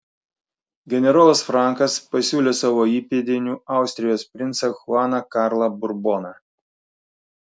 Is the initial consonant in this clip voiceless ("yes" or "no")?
no